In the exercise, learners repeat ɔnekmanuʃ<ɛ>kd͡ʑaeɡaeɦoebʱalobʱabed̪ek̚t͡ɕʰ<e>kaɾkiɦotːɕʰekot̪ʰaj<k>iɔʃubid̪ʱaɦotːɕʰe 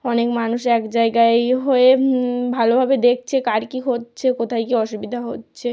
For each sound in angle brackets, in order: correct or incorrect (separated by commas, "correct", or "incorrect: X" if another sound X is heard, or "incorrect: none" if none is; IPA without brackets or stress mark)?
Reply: correct, correct, correct